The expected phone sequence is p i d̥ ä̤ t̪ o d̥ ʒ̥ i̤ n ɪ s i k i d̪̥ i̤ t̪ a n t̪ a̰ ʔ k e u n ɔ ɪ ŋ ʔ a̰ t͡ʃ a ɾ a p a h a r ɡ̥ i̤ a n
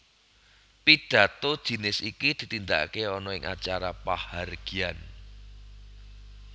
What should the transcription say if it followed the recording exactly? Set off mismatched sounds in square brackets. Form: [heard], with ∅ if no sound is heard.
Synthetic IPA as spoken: p i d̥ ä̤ t̪ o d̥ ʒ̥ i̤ n ɪ s i k i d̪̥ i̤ t̪ [i] n [d̪] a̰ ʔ k e [ɔ] n ɔ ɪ ŋ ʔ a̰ t͡ʃ a ɾ a p a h a r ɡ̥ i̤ a n